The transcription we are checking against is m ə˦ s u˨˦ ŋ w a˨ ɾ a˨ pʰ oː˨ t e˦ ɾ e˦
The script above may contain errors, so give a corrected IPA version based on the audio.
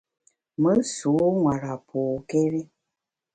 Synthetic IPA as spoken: m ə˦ s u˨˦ ŋ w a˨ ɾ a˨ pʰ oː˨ k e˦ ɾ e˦